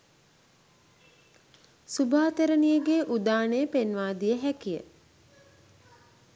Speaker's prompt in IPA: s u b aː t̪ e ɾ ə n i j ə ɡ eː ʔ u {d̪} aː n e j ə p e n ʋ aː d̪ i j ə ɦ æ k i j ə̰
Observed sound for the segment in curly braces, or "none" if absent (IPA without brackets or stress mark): d̪